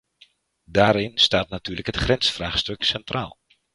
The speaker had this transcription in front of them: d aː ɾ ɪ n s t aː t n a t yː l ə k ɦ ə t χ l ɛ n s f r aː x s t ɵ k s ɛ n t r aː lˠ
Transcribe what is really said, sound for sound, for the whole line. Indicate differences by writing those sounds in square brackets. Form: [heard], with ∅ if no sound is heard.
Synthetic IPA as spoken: d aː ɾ ɪ n s t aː t n a t yː l ə k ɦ ə t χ [r] ɛ n s f r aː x s t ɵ k s ɛ n t r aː lˠ